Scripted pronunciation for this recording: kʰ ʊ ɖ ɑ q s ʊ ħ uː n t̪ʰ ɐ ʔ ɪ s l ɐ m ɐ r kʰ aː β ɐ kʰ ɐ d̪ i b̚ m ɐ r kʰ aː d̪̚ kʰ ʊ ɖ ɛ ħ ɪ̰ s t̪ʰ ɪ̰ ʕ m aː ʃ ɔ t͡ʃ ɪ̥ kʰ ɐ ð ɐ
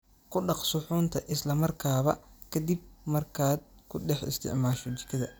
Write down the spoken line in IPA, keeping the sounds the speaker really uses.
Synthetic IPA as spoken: kʰ ʊ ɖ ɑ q s ʊ ħ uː n t̪ʰ ɐ ʔ ɪ s l ɐ m ɐ r kʰ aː β ɐ kʰ ɐ d̪ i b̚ m ɐ r kʰ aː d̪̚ kʰ ʊ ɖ ɛ ħ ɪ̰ s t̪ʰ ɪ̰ ʕ m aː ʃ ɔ t͡ʃ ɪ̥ kʰ ɐ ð ɐ